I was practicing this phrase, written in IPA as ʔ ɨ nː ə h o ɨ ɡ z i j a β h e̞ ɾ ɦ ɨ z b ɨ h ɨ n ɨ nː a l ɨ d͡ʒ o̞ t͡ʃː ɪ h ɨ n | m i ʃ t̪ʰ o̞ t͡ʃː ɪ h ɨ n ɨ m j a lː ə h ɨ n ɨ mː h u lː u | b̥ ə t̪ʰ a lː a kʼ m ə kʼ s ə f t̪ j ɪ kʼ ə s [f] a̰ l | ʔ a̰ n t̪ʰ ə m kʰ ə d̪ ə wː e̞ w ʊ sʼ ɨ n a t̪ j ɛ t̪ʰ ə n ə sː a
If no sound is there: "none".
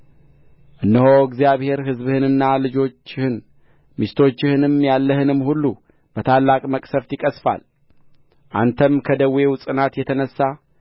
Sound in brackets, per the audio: f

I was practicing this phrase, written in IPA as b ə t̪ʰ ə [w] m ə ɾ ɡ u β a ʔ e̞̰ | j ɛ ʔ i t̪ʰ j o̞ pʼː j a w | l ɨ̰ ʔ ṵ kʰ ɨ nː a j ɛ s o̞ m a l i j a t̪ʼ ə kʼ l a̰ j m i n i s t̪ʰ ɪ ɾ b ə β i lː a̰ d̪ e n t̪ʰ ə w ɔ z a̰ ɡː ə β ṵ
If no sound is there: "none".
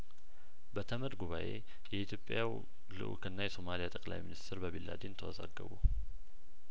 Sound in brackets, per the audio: none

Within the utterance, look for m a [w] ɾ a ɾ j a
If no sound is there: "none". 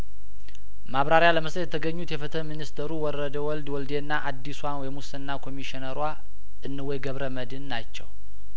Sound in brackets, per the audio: β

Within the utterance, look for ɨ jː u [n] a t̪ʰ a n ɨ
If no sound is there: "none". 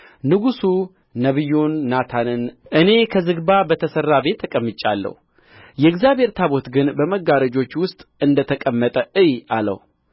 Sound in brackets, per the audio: nː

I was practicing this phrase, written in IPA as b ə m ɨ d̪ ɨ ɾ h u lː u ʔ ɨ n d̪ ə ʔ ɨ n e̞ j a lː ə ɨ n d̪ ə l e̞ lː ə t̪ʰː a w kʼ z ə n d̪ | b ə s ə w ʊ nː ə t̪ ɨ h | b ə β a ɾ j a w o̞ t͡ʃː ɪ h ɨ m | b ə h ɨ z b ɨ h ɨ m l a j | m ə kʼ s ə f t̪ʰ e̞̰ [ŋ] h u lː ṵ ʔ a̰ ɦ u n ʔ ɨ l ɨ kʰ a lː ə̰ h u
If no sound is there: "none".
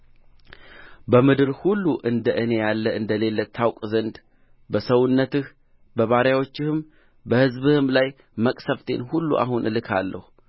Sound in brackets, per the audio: n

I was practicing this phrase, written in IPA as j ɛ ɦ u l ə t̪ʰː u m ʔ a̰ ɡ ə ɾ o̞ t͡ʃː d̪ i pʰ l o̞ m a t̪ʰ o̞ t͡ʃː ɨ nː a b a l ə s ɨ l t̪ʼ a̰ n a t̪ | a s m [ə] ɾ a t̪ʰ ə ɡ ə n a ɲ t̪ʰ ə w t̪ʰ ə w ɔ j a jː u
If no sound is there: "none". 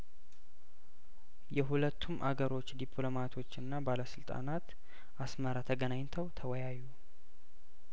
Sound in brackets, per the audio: ə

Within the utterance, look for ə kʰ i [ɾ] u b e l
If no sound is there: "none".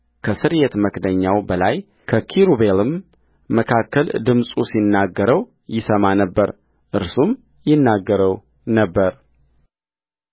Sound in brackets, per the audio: ɾ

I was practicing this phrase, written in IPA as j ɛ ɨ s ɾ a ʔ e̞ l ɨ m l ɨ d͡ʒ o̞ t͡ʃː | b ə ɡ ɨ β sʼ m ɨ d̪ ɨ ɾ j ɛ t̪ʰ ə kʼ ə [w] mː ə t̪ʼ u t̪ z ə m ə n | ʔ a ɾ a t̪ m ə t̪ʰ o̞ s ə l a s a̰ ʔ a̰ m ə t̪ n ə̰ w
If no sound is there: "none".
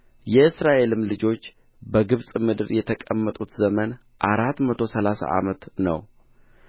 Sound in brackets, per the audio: none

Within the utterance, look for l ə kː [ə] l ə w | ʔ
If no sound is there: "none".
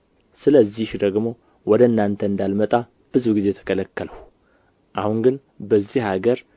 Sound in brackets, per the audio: ə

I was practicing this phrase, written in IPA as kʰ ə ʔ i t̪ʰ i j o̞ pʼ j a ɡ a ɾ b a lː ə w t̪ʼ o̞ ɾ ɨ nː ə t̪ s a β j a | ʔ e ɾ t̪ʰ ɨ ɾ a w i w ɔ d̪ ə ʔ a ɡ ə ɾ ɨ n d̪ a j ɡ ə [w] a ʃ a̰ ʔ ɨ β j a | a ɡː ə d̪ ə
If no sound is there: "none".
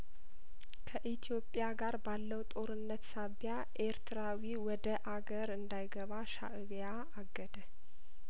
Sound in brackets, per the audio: β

